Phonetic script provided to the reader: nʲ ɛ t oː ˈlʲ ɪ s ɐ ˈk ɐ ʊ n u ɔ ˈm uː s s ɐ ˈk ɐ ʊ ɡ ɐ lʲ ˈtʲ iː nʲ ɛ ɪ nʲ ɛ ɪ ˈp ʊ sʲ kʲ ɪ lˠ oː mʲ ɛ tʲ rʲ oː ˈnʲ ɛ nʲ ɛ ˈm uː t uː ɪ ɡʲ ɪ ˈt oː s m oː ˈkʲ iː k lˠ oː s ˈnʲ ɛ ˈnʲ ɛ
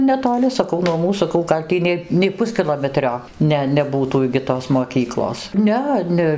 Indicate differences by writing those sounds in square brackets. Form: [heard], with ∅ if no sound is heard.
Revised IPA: nʲ ɛ t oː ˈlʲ ɪ s ɐ ˈk ɐ ʊ n u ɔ ˈm uː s s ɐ ˈk ɐ ʊ ɡ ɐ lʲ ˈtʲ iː nʲ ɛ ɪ nʲ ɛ ɪ ˈp ʊ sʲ kʲ ɪ lˠ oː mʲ ɛ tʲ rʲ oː ˈnʲ ɛ nʲ ɛ [ˈb] uː t uː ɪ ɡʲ ɪ ˈt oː s m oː ˈkʲ iː k lˠ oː s ˈnʲ ɛ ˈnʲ ɛ